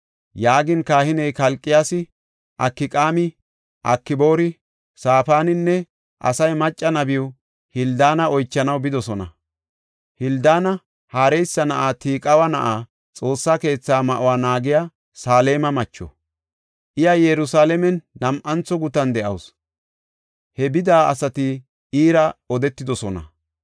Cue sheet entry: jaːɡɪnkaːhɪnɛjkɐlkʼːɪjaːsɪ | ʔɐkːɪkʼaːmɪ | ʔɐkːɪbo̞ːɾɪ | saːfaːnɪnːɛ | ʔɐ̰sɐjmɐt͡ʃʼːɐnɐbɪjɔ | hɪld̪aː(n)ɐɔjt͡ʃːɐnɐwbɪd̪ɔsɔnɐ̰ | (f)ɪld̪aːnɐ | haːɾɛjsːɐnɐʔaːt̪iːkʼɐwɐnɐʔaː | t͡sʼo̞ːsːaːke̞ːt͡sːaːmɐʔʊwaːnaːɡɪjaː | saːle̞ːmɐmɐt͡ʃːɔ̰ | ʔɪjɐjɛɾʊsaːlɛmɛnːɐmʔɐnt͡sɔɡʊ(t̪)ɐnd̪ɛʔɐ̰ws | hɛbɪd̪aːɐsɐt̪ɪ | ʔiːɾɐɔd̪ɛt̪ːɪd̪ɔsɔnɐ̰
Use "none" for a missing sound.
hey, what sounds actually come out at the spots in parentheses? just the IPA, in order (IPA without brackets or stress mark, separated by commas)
n, h, t̪